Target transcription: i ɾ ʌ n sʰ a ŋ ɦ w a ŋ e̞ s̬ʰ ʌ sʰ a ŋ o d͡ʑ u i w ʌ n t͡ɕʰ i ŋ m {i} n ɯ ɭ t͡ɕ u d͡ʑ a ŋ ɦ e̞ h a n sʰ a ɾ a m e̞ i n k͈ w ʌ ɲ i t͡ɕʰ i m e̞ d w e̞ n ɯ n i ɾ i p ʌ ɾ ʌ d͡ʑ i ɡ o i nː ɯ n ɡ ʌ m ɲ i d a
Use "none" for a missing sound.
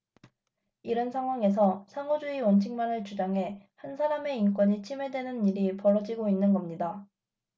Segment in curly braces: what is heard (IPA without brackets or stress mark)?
a